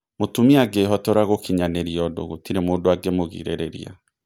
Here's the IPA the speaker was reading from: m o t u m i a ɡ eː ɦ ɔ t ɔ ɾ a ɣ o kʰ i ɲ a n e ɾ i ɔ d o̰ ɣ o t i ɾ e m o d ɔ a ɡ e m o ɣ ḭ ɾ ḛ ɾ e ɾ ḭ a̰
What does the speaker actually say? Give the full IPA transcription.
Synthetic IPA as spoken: m o t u m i a ɡ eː ɦ ɔ t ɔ ɾ a ɣ o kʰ i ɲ a n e ɾ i ɔ d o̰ ɣ o t i ɾ e m o d o a ɡ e m o ɣ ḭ ɾ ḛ ɾ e ɾ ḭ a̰